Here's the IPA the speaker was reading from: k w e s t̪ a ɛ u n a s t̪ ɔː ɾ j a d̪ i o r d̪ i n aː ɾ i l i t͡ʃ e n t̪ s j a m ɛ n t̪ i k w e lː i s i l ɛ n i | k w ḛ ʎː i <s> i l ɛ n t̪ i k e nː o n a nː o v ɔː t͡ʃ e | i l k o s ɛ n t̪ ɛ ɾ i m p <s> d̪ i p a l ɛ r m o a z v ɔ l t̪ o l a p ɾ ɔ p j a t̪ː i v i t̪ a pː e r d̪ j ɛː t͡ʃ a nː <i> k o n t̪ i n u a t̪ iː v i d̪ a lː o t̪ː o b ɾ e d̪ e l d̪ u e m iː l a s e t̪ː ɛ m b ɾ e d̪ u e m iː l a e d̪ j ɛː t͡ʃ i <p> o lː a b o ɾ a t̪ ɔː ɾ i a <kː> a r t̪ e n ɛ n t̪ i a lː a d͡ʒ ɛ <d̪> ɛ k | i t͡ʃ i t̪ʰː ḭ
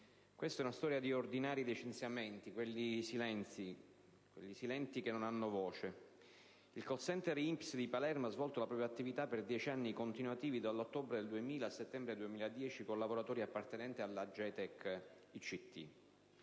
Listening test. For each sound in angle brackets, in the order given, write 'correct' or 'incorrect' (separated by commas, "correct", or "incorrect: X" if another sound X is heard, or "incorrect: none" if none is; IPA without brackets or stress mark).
correct, correct, correct, incorrect: k, incorrect: pː, incorrect: t̪